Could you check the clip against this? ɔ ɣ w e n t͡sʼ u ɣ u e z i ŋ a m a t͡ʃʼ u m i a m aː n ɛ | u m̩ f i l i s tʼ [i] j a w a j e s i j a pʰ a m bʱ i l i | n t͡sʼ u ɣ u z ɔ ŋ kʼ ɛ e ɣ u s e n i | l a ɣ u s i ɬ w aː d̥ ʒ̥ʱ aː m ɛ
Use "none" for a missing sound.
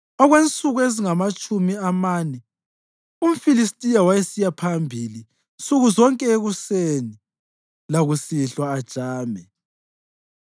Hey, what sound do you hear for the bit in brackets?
i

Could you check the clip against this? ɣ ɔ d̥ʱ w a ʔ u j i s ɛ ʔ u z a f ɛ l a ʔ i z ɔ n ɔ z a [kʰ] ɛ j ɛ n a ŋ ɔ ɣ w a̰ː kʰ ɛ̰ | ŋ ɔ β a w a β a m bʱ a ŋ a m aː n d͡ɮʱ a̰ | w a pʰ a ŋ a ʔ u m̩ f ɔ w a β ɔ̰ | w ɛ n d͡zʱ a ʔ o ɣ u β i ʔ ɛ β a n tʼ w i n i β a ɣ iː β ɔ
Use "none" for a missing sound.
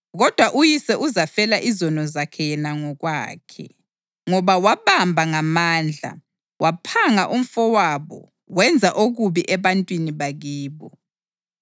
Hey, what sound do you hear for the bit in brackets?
kʰ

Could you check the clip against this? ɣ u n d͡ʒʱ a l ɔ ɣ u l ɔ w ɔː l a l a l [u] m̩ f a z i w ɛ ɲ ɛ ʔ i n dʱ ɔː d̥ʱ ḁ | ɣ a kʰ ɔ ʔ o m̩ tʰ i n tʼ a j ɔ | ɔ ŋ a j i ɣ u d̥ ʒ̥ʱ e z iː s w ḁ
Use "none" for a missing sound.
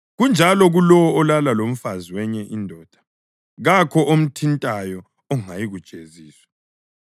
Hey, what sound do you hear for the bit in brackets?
o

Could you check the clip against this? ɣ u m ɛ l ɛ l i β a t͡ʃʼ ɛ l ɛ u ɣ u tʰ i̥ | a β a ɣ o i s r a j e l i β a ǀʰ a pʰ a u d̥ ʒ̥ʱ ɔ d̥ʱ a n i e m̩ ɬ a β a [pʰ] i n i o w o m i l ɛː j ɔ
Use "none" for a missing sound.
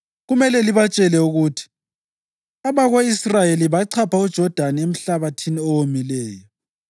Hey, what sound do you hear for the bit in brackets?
tʰ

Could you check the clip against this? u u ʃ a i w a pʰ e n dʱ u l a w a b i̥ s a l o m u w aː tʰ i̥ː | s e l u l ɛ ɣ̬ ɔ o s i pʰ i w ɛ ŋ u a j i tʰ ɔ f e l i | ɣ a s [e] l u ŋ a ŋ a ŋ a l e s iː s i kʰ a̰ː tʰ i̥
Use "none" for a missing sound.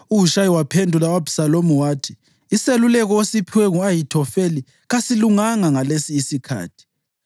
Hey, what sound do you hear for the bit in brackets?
i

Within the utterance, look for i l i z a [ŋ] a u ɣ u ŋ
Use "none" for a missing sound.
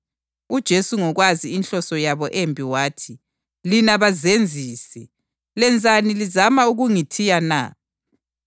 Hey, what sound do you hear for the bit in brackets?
m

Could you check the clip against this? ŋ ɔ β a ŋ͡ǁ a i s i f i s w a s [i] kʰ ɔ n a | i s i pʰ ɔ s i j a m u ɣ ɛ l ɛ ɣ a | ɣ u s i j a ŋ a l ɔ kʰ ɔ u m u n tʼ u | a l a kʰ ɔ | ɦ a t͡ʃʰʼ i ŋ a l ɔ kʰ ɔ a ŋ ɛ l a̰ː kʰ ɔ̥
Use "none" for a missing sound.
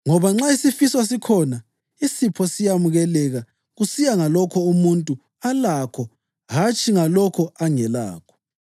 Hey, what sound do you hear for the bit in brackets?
i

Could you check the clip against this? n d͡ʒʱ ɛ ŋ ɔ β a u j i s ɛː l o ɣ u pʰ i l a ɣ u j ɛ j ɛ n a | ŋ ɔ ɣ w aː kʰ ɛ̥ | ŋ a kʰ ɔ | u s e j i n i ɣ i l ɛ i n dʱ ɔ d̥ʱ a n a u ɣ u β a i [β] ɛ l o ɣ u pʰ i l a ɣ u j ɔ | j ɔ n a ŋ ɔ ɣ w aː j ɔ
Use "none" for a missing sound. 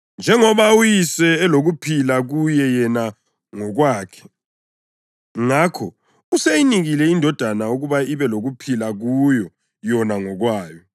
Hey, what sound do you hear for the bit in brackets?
β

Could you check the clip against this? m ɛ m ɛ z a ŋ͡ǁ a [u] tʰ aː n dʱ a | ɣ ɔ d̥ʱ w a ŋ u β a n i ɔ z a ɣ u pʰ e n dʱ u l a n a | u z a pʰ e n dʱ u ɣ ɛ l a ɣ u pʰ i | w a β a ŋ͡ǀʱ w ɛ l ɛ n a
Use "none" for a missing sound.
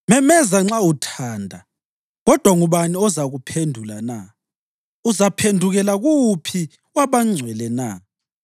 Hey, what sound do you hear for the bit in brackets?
u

